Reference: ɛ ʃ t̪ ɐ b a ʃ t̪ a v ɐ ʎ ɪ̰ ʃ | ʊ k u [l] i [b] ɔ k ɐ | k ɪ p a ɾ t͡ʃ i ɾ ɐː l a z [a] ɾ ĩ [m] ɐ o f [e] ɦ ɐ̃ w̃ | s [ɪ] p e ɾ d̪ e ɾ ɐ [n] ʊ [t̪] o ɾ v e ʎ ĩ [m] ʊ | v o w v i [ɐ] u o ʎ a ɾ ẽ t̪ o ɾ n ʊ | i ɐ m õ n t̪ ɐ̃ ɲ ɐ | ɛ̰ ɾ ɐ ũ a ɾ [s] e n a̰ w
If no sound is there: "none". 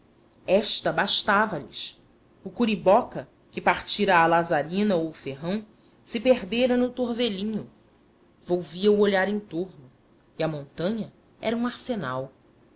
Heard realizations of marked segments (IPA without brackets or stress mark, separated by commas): ɾ, b, a, n, e, ɪ, n, t̪, ɲ, ɐ, s